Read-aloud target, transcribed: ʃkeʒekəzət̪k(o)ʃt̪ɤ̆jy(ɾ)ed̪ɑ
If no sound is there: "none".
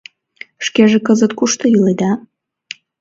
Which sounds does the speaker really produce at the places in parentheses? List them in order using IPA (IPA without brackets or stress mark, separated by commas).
u, l